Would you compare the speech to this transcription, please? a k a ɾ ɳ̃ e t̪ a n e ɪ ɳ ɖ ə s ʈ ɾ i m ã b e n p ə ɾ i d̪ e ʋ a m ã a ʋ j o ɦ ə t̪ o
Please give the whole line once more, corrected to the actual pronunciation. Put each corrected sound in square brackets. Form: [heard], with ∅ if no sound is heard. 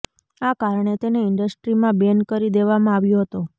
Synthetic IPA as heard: a k a ɾ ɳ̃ e t̪ [e] n e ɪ ɳ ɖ ə s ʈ ɾ i m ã b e n [k] ə ɾ i d̪ e ʋ a m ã a ʋ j o ɦ ə t̪ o